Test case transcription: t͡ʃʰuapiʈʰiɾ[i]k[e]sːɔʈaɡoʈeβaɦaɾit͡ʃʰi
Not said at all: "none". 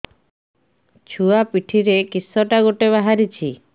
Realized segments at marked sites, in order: e, i

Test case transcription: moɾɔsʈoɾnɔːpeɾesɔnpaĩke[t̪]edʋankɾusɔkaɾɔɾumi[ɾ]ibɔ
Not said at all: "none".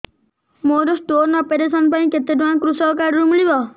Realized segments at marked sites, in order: t̪, ɭ

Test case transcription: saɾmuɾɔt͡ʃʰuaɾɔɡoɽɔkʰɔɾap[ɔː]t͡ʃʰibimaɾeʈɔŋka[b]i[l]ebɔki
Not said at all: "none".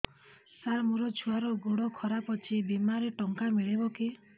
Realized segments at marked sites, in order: ɔ, m, ɭ

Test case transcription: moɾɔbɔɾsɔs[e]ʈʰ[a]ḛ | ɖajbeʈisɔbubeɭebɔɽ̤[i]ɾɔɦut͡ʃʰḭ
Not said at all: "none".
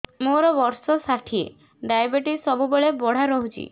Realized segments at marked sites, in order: a, i, a

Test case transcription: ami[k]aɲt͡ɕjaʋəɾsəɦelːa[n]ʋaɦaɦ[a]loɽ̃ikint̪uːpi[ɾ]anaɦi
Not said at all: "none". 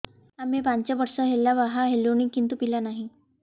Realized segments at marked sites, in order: p, none, e, l

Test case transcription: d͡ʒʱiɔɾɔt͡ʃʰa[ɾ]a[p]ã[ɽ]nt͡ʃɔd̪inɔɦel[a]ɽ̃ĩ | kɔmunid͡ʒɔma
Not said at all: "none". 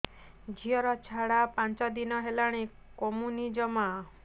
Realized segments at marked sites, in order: ɽ, p, none, a

